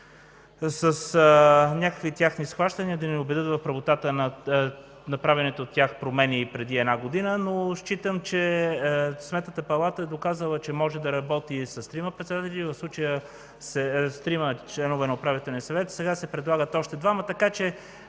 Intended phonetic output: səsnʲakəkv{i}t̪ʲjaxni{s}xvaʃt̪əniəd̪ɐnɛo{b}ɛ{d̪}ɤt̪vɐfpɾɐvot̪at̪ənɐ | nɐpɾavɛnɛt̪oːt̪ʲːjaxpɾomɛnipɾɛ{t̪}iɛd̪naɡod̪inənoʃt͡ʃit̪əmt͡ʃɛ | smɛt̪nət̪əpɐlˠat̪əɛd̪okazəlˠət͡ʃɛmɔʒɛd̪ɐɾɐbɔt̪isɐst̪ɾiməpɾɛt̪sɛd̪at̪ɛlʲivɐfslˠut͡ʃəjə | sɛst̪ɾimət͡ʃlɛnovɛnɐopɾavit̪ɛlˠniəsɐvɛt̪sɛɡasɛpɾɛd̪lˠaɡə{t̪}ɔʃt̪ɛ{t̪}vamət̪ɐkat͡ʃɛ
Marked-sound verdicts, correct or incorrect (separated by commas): correct, correct, correct, correct, incorrect, correct, incorrect